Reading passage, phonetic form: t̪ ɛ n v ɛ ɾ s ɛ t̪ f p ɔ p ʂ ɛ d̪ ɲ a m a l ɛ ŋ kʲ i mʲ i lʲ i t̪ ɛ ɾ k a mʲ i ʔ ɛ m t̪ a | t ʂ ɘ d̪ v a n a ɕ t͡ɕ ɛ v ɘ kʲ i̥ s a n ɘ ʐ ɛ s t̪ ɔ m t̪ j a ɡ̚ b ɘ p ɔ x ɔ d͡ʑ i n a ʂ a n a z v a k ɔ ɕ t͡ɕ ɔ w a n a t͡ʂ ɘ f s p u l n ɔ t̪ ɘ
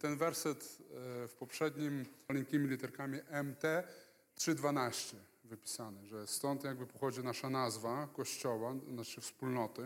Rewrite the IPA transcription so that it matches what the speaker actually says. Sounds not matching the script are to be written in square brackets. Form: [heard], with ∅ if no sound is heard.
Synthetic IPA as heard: t̪ ɛ n v ɛ ɾ s ɛ t̪ f p ɔ p ʂ ɛ d̪ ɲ [i] m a l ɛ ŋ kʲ i mʲ i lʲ i t̪ ɛ ɾ k a mʲ i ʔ ɛ m t̪ [ɛ] | t ʂ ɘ d̪ v a n a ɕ t͡ɕ ɛ v ɘ [pʲ] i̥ s a n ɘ ʐ ɛ s t̪ ɔ [n] t̪ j a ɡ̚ b ɘ p ɔ x ɔ d͡ʑ i n a ʂ a n a z v a k ɔ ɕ t͡ɕ ɔ w a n a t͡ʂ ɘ f s p u l n ɔ t̪ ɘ